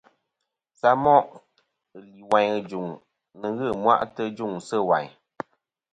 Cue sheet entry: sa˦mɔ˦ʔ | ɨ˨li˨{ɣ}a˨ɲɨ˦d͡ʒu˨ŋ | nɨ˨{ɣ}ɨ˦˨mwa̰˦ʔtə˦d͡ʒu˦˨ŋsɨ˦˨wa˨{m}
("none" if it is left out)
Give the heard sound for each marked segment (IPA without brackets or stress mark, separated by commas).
w, ɣ, ɲ